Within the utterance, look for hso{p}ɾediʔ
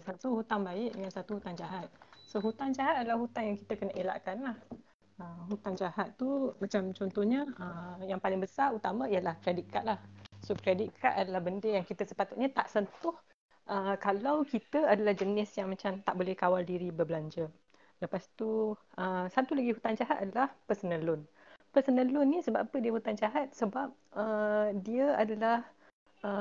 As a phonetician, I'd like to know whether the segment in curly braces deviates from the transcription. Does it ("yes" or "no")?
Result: yes